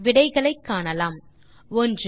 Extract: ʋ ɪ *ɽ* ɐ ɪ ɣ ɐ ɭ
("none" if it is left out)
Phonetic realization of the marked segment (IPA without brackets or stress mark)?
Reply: ɽ